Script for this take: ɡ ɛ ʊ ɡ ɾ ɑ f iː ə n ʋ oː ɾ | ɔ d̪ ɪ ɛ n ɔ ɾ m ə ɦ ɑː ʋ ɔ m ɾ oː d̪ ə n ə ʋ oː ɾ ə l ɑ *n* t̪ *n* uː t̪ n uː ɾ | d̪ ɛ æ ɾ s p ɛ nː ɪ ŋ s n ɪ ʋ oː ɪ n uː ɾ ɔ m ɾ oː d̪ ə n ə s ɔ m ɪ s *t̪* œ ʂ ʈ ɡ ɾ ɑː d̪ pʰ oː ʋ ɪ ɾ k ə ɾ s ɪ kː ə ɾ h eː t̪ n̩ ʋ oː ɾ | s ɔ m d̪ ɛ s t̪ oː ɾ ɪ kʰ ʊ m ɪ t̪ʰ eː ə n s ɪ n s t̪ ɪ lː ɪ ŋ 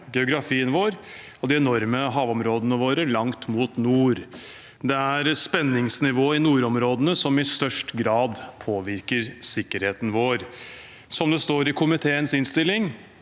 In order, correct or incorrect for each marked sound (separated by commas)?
incorrect, incorrect, correct